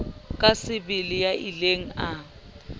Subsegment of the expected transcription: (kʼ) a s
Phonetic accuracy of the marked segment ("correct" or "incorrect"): correct